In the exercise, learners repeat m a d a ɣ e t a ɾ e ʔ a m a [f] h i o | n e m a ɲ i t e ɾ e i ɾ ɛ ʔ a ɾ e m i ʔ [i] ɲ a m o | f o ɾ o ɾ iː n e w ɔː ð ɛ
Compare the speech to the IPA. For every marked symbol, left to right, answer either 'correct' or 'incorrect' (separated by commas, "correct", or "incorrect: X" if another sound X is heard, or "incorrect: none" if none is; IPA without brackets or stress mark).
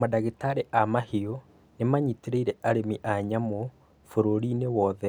incorrect: none, incorrect: a